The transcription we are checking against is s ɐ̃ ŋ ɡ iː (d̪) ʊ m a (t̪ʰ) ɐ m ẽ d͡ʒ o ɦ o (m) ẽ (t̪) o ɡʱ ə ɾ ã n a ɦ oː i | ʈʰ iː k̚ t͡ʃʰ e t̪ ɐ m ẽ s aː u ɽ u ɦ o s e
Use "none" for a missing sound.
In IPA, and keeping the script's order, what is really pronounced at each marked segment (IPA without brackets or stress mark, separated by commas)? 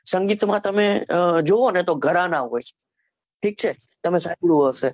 t̪, t̪, n, t̪